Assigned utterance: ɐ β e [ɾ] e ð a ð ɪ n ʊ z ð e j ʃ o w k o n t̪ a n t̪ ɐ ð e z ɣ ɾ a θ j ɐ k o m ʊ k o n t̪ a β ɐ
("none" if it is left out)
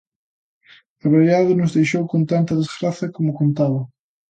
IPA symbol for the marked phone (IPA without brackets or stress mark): ɾ